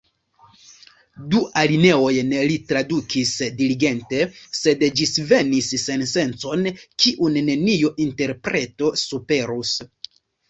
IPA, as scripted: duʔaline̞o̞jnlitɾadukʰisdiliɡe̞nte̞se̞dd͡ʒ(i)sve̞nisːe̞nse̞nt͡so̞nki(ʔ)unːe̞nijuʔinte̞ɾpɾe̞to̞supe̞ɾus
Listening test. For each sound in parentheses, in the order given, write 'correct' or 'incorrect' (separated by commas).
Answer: correct, correct